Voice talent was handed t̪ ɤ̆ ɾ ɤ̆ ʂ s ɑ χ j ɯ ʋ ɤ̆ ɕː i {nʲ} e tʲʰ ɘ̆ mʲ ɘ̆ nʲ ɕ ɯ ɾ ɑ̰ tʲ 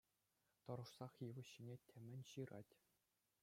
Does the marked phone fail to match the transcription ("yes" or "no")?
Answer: no